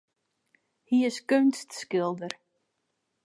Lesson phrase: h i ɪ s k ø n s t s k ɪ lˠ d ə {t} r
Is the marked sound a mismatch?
yes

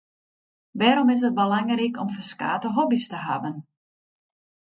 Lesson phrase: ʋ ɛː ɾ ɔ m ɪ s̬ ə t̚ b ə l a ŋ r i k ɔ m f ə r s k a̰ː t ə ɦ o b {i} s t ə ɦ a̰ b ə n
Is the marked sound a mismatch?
no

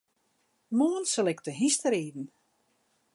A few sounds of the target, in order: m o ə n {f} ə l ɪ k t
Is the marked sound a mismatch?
yes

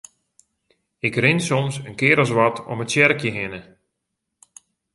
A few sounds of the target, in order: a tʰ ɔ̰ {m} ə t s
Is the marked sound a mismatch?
no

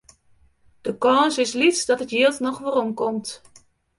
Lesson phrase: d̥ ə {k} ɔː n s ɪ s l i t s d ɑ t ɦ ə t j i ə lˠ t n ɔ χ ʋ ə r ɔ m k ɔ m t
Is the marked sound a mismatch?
no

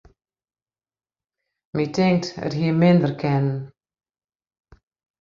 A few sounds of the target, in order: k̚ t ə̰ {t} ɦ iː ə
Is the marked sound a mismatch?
no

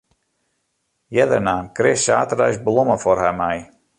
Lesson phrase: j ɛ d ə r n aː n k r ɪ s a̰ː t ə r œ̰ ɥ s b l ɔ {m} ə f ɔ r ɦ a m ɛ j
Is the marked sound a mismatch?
no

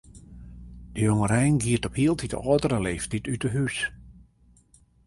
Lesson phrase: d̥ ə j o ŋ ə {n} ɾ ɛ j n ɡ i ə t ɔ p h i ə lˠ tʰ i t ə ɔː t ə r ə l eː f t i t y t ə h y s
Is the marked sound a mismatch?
yes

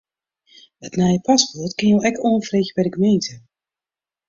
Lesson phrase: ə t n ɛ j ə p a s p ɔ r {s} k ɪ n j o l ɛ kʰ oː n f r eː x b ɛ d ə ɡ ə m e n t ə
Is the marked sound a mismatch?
yes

